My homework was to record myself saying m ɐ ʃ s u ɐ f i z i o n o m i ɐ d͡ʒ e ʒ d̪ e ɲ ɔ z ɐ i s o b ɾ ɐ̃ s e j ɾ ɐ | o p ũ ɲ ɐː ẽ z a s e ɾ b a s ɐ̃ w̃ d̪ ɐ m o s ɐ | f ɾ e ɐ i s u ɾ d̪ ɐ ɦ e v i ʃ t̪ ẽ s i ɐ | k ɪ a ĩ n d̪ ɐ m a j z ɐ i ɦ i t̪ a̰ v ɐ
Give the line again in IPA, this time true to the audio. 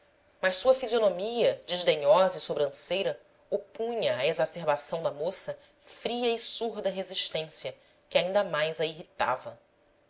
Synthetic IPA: m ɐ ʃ s u ɐ f i z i o n o m i ɐ d͡ʒ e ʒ d̪ e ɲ ɔ z ɐ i s o b ɾ ɐ̃ s e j ɾ ɐ | o p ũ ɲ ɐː e z a s e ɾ b a s ɐ̃ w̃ d̪ ɐ m o s ɐ | f ɾ i ɐ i s u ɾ d̪ ɐ ɦ e z i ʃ t̪ ẽ s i ɐ | k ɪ a ĩ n d̪ ɐ m a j z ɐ i ɦ i t̪ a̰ v ɐ